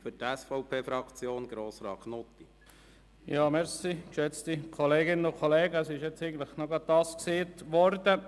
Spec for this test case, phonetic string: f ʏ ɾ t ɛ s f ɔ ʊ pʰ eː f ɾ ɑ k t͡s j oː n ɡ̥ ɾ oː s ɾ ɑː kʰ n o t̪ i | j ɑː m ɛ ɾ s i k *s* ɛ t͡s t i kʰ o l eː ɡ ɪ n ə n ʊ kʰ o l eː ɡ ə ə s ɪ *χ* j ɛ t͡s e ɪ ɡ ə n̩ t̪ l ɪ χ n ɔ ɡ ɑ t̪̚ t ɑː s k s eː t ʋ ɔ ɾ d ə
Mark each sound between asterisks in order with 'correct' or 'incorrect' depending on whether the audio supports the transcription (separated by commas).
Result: incorrect, incorrect